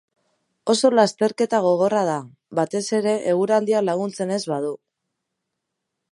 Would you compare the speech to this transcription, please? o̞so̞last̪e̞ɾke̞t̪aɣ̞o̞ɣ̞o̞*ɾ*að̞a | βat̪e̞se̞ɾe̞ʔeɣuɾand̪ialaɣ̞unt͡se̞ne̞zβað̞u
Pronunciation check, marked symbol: incorrect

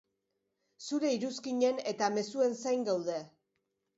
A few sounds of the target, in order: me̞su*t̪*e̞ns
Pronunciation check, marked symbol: incorrect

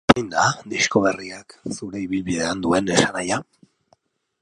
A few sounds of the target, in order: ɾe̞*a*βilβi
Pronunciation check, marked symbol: incorrect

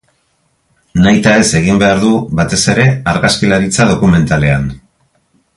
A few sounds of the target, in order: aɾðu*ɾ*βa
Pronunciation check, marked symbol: incorrect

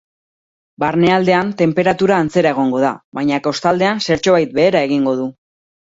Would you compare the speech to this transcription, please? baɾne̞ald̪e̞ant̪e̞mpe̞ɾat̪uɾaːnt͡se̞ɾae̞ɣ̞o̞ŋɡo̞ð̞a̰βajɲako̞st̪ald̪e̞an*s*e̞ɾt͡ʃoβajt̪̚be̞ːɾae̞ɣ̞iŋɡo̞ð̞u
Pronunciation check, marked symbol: correct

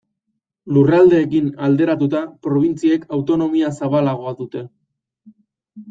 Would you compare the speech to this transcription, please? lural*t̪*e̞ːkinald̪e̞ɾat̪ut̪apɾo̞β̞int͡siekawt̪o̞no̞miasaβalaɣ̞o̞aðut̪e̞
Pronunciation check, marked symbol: incorrect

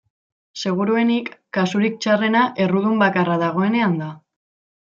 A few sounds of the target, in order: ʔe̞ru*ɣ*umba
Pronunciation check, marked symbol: incorrect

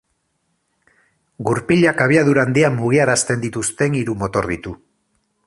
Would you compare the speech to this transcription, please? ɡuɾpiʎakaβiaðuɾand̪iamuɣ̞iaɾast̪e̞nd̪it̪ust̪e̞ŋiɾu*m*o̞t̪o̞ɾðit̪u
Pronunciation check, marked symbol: correct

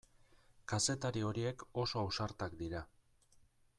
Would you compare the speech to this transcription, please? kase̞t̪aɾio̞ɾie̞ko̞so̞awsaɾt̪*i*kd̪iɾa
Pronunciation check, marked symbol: incorrect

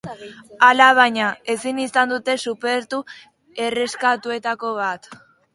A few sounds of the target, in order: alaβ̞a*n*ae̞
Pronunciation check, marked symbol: incorrect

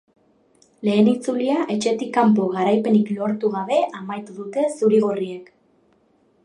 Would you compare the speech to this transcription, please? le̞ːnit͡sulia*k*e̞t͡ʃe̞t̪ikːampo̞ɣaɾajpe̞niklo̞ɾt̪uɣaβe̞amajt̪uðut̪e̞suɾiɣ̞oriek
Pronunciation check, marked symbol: incorrect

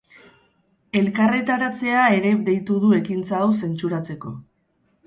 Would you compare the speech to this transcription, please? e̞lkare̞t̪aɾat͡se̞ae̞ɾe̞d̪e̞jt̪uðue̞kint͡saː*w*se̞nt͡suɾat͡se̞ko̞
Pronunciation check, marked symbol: correct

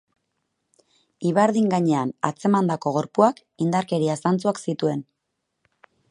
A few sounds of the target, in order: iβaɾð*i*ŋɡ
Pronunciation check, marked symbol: correct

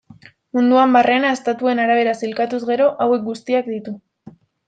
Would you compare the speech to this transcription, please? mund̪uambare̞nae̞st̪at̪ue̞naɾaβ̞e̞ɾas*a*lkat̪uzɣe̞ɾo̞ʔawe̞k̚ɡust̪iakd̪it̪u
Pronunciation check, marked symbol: incorrect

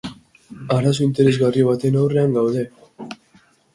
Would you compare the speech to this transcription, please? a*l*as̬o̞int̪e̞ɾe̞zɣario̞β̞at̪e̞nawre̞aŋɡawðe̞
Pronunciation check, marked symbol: incorrect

